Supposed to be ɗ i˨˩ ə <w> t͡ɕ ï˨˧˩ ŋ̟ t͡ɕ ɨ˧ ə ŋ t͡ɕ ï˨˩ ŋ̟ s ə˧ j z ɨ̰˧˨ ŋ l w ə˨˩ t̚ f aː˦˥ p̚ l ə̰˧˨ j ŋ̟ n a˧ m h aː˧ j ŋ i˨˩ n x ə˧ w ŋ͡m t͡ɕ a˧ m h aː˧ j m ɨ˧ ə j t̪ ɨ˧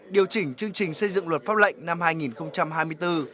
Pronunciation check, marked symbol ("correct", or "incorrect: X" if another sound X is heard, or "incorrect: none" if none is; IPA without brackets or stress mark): correct